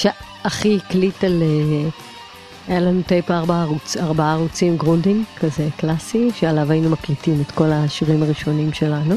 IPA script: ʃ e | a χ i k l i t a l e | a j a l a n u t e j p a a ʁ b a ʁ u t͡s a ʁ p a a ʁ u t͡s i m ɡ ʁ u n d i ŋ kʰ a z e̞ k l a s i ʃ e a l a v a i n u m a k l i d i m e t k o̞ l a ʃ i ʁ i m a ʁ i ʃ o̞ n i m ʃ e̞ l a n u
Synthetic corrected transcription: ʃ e | a χ i k l i t a l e | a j a l a n u t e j p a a ʁ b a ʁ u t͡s a ʁ b a a ʁ u t͡s i m ɡ ʁ u n d i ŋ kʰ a z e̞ k l a s i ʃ e a l a v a i n u m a k l i t i m e t k o̞ l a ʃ i ʁ i m a ʁ i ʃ o̞ n i m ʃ e̞ l a n u